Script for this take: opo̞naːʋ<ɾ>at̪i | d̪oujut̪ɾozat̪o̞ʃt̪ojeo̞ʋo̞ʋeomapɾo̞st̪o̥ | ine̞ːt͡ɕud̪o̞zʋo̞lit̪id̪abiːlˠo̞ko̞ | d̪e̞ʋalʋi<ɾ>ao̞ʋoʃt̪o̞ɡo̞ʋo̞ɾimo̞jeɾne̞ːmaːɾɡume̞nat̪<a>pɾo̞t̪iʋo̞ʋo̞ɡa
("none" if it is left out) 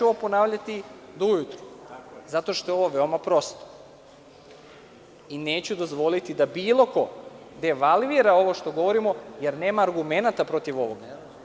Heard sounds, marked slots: ʎ, ɾ, a

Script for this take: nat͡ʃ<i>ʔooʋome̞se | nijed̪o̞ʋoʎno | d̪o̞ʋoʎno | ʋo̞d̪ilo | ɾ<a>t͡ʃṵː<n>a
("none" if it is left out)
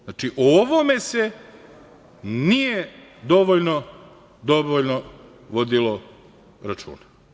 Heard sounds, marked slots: i, a, n

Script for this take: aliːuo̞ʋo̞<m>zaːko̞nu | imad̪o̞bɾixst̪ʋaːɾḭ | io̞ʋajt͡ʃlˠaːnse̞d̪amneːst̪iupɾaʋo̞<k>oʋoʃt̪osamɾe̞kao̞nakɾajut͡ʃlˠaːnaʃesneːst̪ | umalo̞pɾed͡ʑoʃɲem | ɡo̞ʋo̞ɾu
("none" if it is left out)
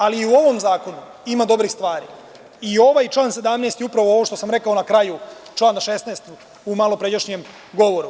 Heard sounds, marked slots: m, none

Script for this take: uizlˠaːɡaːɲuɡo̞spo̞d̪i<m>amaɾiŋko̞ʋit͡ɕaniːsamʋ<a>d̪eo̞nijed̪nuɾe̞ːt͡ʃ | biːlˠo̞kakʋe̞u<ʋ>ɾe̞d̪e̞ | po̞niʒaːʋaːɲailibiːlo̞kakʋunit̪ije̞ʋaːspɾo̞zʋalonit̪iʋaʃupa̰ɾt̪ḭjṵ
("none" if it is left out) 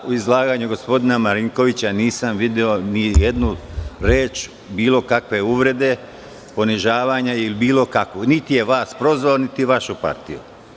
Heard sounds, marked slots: n, i, ʋ

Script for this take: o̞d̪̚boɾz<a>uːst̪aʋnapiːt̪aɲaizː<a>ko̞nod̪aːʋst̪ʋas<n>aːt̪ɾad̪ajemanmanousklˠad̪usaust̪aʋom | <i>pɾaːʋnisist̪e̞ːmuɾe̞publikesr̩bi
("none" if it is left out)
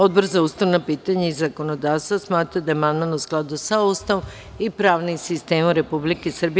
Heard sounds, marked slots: a, a, m, i

